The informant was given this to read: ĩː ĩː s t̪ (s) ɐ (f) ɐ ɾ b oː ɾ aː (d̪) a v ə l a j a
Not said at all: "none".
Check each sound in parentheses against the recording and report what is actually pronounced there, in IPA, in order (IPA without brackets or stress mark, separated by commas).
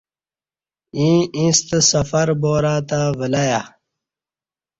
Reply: s, f, t̪